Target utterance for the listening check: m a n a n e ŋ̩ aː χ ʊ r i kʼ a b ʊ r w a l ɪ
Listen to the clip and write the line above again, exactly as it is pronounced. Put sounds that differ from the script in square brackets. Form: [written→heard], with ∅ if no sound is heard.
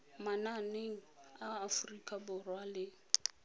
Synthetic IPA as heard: m a n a n e ŋ̩ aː [χ→f] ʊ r i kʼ a b ʊ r w a l ɪ